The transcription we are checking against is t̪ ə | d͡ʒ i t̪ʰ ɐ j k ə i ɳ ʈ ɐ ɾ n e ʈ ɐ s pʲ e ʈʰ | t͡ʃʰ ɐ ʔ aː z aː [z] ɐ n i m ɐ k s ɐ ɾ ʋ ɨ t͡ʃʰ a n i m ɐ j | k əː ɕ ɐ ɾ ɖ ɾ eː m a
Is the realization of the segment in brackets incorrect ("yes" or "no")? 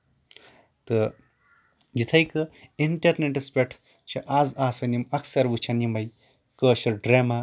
yes